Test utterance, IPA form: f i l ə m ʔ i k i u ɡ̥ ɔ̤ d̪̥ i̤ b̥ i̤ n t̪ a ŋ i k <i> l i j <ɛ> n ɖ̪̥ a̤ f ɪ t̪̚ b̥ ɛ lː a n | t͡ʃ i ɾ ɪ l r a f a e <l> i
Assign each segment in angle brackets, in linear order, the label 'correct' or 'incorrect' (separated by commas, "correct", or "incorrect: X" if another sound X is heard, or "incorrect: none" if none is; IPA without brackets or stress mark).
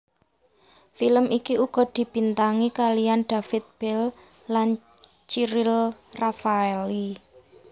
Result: incorrect: a, incorrect: a, correct